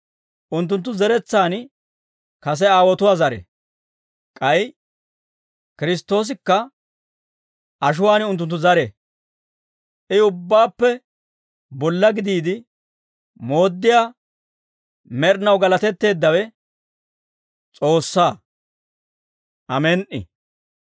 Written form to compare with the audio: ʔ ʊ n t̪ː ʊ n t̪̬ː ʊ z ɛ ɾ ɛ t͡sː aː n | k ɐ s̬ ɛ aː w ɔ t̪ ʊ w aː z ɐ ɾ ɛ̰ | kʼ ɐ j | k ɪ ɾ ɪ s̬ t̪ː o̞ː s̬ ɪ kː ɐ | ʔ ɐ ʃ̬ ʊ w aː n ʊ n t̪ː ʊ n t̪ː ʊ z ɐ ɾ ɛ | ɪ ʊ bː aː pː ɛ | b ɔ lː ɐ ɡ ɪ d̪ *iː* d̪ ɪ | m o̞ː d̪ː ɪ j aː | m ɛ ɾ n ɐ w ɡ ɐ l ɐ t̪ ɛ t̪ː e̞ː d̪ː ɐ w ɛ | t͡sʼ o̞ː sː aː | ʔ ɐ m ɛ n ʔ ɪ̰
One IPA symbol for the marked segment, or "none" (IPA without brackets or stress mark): iː